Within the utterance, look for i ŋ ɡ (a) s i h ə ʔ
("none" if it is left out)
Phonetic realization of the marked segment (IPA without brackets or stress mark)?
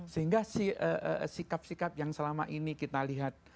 a